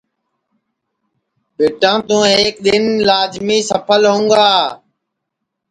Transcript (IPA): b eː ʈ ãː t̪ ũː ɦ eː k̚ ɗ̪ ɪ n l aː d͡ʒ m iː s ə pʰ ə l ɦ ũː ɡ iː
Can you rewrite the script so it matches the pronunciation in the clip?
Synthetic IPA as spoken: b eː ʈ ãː t̪ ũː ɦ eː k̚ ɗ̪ ɪ n l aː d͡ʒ m iː s ə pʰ ə l ɦ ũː ɡ aː